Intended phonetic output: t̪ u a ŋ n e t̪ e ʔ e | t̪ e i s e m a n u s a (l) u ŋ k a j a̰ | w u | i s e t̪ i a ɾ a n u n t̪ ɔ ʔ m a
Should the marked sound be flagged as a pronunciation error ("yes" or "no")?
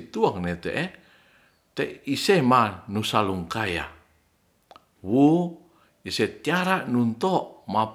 no